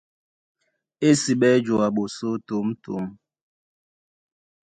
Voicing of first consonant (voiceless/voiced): voiceless